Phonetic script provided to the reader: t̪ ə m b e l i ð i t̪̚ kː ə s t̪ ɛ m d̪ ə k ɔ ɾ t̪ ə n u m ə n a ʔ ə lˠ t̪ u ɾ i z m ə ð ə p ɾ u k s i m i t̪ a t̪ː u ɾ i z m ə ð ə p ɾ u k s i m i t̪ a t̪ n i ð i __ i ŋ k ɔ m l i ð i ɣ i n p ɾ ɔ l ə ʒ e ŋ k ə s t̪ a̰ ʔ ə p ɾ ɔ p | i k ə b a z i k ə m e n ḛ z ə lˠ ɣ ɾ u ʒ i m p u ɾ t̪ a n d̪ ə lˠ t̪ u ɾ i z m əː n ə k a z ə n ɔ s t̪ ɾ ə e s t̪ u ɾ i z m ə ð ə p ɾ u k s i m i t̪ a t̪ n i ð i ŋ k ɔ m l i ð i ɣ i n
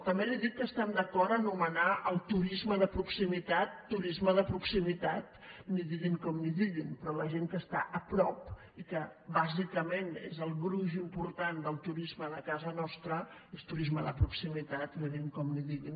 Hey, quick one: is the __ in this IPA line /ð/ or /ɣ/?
ɣ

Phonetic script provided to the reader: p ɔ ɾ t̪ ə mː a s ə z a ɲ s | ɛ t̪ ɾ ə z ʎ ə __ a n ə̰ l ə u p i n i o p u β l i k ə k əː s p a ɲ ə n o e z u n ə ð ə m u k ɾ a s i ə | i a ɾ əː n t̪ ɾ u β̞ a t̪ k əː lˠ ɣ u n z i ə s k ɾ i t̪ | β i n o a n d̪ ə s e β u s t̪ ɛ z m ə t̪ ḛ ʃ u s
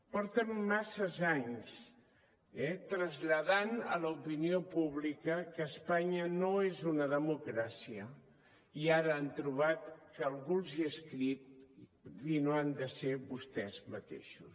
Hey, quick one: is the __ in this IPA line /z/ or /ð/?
ð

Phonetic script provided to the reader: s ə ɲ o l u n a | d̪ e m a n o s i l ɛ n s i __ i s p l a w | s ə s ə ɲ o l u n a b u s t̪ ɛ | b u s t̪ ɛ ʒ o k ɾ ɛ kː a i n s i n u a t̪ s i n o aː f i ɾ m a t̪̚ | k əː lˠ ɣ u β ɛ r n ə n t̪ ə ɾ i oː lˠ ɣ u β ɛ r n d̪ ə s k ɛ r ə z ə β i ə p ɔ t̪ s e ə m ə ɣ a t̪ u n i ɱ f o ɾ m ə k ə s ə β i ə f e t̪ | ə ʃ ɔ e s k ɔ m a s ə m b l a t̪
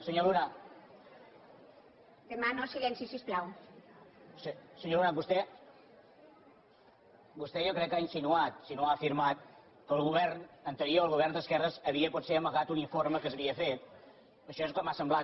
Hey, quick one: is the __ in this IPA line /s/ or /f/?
s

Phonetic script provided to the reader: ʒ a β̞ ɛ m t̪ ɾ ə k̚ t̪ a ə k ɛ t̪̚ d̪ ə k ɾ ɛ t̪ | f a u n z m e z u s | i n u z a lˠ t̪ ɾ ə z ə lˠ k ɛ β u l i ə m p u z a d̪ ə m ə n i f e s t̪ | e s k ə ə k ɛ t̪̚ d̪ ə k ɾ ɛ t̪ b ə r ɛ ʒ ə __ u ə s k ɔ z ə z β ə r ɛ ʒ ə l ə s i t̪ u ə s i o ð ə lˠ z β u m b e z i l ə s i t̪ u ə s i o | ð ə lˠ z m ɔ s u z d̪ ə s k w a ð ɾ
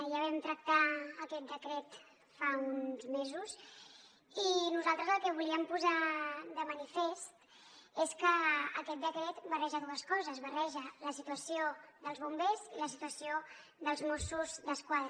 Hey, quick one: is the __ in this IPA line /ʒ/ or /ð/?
ð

